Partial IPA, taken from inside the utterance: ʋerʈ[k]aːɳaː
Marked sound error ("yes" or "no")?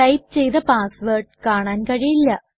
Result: no